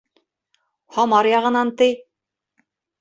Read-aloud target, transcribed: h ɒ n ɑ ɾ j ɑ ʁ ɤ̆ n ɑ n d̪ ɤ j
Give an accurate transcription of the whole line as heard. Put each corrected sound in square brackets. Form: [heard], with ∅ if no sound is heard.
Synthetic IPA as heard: h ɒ [m] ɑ ɾ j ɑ ʁ ɤ̆ n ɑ n [t̪] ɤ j

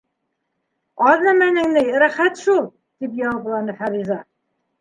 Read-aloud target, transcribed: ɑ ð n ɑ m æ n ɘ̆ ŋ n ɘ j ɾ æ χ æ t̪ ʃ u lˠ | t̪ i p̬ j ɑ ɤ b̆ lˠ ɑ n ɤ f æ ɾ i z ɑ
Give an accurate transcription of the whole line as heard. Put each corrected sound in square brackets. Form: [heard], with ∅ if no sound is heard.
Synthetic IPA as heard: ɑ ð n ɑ m æ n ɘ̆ ŋ n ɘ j ɾ æ χ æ t̪ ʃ u lˠ | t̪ i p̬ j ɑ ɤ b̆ lˠ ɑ n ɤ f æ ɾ i z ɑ

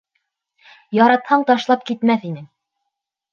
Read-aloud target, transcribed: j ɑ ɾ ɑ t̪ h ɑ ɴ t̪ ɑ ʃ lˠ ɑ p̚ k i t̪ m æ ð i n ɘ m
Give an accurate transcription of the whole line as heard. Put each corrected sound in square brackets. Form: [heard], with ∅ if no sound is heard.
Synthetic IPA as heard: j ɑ ɾ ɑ t̪ h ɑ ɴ t̪ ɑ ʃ lˠ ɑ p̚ k i t̪ m æ [θ] i n ɘ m

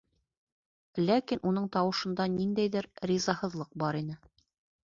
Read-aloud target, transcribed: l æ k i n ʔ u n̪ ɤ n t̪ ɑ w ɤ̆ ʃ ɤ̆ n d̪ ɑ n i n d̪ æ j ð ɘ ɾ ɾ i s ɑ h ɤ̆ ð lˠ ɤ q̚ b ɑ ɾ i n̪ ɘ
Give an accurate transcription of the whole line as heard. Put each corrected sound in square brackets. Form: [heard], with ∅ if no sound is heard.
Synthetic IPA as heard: l æ k i n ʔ u n̪ ɤ [ɴ] t̪ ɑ w ɤ̆ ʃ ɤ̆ n d̪ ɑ n i n d̪ æ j ð ɘ ɾ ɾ i [z] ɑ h ɤ̆ ð lˠ ɤ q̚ b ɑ ɾ i n̪ ɘ

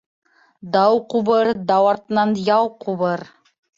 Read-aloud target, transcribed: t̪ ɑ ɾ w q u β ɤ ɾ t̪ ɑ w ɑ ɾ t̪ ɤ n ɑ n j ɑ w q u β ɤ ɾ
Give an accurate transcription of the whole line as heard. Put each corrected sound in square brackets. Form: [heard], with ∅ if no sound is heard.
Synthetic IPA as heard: [d̪] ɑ [∅] w q u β ɤ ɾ [d̪] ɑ w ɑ ɾ t̪ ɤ n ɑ n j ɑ w q u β ɤ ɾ

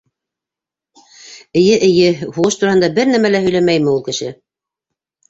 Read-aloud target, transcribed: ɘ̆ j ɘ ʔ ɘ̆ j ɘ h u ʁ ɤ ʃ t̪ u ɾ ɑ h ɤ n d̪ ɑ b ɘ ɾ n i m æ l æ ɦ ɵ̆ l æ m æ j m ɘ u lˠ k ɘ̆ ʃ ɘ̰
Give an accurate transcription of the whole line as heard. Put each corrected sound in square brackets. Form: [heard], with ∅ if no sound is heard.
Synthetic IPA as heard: ɘ̆ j ɘ ʔ ɘ̆ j ɘ h u ʁ ɤ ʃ t̪ u ɾ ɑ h ɤ n d̪ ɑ b ɘ ɾ n [æ] m æ l æ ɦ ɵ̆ l æ m æ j m ɘ u lˠ k ɘ̆ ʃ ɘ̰

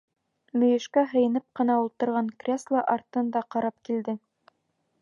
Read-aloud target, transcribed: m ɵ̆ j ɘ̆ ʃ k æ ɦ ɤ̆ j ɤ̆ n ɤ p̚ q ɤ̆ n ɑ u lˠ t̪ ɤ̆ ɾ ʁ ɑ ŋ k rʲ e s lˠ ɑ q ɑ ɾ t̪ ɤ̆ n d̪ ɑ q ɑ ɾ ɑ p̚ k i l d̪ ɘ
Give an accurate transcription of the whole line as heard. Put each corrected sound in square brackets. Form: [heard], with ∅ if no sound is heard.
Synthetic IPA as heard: m ɵ̆ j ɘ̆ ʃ k æ ɦ ɤ̆ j ɤ̆ n ɤ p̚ q ɤ̆ n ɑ u lˠ t̪ ɤ̆ ɾ ʁ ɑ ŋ k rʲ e s lˠ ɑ [ʔ] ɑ ɾ t̪ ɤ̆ n d̪ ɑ q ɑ ɾ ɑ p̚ k i l d̪ ɘ

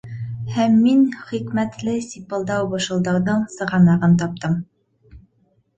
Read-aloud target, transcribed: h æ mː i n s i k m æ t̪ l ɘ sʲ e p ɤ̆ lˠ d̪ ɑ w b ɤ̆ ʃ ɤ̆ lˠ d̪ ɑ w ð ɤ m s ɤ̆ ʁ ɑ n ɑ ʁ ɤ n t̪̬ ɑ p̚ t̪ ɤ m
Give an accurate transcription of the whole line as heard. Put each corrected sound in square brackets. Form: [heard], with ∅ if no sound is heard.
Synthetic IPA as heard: h æ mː i n [χ] i k m æ t̪ l ɘ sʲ [i] p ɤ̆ lˠ d̪ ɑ w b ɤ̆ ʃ ɤ̆ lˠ d̪ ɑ w ð ɤ [ɴ] s ɤ̆ ʁ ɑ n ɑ ʁ ɤ n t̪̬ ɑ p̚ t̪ ɤ m

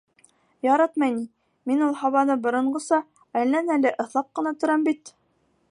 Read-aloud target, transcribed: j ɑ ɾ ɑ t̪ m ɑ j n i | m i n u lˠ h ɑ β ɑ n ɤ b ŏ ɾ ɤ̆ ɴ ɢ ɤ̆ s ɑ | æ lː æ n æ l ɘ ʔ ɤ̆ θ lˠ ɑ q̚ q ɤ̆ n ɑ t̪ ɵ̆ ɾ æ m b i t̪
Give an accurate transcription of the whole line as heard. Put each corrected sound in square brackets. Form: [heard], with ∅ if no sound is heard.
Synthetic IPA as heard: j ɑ ɾ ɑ t̪ m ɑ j n i | m i n u lˠ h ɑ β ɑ n ɤ b ŏ ɾ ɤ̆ ɴ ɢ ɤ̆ s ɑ | æ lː æ n æ l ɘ ʔ ɤ̆ θ lˠ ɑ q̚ q ɤ̆ n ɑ t̪ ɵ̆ ɾ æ m b i t̪

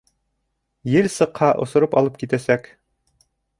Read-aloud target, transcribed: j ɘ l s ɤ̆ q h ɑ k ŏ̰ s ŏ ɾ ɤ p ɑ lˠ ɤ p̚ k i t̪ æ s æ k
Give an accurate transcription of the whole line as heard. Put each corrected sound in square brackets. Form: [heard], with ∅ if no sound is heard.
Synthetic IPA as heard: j ɘ l s ɤ̆ q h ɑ [ʔ] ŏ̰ s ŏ ɾ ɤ p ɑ lˠ ɤ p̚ k i t̪ æ s æ k

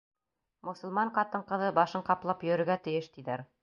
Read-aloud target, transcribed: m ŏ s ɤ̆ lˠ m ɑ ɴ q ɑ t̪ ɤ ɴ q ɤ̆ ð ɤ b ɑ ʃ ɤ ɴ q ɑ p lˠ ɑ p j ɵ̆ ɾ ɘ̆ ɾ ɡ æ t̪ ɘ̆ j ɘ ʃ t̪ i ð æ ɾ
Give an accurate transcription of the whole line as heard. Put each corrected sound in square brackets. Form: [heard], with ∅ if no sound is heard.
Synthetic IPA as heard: m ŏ s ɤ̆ lˠ m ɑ ɴ q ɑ t̪ ɤ ɴ q ɤ̆ ð ɤ b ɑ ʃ ɤ ɴ q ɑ p lˠ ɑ p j ɵ̆ ɾ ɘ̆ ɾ ɡ æ t̪ ɘ̆ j ɘ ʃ t̪ i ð æ ɾ

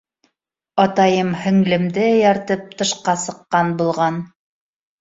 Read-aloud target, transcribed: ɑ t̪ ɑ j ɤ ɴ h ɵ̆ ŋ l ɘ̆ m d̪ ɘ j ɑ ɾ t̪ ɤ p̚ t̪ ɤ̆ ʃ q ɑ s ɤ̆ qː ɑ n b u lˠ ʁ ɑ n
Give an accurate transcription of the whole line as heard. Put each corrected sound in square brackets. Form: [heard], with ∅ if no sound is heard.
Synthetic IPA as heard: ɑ t̪ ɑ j ɤ [m] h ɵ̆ ŋ l ɘ̆ m d̪ ɘ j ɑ ɾ t̪ ɤ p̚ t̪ ɤ̆ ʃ q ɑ s ɤ̆ qː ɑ n b u lˠ ʁ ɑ n

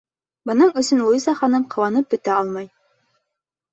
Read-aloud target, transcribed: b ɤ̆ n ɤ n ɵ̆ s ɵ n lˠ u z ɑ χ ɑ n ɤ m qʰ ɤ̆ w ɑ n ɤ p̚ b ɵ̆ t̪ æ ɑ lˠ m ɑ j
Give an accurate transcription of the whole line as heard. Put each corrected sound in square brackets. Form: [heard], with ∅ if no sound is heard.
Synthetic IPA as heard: b ɤ̆ n ɤ [ɴ] ɵ̆ s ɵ n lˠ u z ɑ χ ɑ n ɤ m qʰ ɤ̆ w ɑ n ɤ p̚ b ɵ̆ t̪ æ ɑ lˠ m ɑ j

